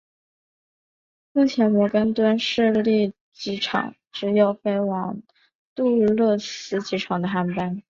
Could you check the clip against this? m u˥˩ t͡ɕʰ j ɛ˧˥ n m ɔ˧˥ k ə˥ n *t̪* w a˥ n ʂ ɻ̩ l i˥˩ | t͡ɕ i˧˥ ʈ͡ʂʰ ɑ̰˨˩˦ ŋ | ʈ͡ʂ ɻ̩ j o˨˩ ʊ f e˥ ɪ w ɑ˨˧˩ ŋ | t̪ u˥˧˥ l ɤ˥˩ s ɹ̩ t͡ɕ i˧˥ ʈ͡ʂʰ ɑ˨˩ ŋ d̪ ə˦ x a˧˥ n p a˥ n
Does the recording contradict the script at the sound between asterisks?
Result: no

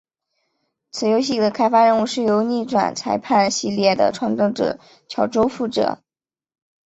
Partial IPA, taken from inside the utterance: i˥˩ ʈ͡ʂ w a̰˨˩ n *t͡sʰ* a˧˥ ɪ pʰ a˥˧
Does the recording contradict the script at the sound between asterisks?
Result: no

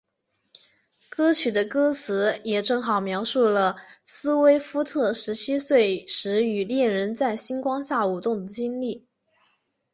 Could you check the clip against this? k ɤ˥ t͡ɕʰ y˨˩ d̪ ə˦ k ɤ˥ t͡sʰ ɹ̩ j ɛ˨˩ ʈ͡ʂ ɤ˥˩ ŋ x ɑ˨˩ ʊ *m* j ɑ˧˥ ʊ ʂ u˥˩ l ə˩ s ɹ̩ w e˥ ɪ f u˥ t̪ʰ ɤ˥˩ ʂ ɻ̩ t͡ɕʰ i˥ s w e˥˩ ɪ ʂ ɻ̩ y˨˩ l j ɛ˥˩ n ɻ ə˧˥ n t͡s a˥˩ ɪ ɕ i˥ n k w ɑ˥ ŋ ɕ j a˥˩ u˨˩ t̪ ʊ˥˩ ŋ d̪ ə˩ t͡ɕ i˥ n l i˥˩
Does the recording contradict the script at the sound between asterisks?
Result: no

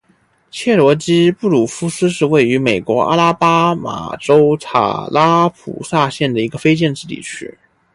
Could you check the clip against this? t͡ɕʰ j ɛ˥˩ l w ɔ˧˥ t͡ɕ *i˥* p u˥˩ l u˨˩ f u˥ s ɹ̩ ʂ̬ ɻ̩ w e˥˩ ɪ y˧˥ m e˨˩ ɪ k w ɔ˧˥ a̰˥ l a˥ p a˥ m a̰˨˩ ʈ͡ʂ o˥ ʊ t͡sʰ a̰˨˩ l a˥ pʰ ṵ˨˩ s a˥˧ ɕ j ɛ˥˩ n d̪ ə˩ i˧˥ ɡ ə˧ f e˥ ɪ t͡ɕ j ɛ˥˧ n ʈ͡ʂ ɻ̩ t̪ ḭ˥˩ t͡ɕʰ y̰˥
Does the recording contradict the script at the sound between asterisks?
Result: no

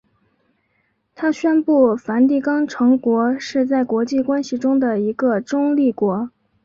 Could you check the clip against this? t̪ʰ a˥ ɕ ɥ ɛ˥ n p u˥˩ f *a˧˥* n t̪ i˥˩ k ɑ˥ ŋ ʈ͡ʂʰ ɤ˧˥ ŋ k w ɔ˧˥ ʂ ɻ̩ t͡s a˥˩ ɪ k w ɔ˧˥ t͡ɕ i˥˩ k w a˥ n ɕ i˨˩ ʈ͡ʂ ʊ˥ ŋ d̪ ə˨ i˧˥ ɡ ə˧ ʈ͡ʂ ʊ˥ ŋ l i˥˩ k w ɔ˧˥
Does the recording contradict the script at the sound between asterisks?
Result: no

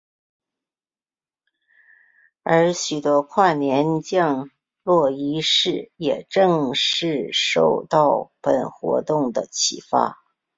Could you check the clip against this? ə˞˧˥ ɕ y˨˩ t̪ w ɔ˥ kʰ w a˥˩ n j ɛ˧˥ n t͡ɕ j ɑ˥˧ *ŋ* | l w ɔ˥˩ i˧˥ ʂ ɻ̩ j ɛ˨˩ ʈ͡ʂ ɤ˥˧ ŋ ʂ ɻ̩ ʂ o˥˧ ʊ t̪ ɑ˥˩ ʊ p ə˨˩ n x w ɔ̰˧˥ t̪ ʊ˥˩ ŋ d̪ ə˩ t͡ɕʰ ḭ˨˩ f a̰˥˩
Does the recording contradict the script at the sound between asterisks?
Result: no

